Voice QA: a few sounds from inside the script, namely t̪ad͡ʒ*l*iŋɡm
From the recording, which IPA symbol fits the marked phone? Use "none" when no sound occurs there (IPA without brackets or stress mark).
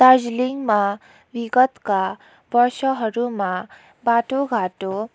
l